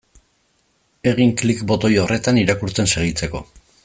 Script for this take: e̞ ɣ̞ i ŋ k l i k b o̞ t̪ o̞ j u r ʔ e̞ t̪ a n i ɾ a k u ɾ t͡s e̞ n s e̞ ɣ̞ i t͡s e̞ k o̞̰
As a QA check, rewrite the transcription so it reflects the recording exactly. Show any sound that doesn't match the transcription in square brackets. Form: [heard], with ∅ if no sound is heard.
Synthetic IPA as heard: e̞ ɣ̞ i ŋ k l i k b o̞ t̪ o̞ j [o] r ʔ e̞ t̪ a n i ɾ a k u ɾ t͡s e̞ n s e̞ ɣ̞ i t͡s e̞ k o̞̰